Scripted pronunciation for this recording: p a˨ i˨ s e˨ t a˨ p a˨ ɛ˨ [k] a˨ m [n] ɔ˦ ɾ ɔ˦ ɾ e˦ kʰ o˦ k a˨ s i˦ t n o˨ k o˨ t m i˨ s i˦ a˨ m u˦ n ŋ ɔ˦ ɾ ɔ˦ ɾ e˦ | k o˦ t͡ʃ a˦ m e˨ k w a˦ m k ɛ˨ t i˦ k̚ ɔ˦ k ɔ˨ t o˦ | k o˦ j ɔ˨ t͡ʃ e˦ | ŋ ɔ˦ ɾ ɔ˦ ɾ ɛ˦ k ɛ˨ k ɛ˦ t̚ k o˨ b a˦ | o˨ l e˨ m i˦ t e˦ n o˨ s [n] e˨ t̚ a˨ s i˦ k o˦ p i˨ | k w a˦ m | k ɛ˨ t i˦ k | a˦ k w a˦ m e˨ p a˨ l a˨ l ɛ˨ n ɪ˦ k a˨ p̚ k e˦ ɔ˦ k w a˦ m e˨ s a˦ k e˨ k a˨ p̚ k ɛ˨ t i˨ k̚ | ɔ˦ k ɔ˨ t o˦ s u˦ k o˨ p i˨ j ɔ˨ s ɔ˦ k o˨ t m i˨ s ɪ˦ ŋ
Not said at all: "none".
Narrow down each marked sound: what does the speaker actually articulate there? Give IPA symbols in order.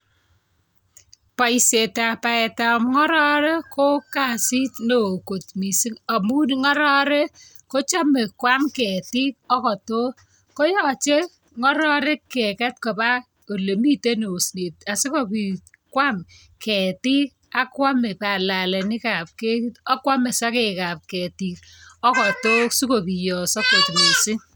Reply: t, ŋ, n

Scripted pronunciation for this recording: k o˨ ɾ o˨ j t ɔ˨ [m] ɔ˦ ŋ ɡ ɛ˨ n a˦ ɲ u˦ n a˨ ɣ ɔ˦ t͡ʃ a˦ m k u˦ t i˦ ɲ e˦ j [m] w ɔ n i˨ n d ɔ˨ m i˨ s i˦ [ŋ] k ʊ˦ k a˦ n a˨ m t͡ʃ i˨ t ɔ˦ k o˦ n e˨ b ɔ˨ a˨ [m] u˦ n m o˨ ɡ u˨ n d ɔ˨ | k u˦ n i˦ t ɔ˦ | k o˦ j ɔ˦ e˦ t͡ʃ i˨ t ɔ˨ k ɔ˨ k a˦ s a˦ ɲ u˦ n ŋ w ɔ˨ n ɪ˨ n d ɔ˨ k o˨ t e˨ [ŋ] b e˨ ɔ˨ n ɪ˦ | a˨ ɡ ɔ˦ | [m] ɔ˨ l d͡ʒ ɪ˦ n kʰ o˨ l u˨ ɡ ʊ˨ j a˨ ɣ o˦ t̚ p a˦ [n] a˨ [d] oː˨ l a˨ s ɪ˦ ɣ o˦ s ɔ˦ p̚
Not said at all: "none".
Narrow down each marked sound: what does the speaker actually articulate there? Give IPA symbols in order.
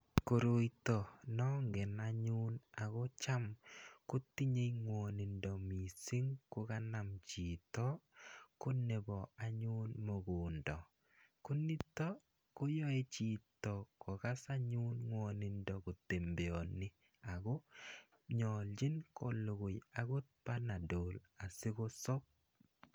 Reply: n, ŋ, ŋ, ɲ, m, ɲ, n, d

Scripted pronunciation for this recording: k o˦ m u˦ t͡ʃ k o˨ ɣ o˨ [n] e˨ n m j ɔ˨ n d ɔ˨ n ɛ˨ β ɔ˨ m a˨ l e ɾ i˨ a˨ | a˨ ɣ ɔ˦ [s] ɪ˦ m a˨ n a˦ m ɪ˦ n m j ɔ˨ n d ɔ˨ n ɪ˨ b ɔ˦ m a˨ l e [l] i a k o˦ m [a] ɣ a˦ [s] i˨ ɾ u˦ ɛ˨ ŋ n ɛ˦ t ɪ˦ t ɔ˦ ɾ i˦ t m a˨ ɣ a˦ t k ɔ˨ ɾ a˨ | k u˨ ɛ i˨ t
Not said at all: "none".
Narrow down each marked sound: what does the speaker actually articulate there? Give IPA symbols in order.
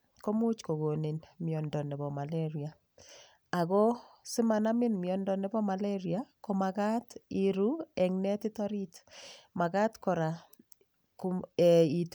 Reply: n, s, ɾ, a, t

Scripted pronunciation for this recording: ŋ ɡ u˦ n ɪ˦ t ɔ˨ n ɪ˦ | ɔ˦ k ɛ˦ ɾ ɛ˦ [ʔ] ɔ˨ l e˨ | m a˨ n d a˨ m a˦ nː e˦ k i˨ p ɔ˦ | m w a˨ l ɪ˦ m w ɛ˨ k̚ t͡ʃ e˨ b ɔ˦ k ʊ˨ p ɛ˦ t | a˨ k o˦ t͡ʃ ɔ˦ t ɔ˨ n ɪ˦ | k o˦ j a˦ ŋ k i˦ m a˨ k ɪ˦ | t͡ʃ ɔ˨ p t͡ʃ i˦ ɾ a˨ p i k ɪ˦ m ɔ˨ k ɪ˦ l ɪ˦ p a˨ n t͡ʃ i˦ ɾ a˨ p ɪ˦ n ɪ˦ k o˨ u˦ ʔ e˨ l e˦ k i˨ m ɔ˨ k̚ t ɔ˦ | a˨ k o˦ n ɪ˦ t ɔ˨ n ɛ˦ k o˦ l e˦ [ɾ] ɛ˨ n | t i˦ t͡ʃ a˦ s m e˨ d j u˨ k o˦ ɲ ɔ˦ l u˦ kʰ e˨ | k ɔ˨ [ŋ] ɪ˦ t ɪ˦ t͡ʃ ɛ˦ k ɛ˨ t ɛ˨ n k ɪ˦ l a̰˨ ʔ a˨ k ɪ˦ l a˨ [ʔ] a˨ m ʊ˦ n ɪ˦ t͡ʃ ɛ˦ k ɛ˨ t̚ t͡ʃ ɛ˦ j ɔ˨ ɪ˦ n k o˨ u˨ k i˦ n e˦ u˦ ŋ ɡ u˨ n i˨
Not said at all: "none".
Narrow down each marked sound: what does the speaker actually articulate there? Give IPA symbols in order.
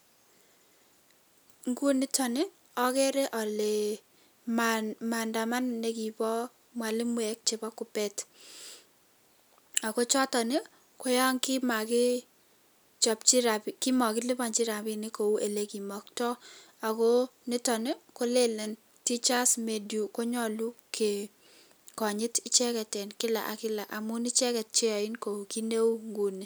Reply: ʔ, l, ɲ, ʔ

